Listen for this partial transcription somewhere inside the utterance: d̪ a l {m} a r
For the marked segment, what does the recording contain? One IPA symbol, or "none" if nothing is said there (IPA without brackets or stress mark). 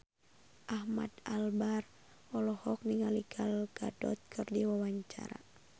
b